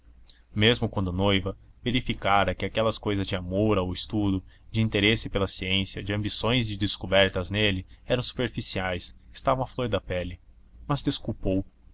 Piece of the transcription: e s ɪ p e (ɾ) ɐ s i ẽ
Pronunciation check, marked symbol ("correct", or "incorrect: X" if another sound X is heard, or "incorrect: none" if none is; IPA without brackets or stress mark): incorrect: l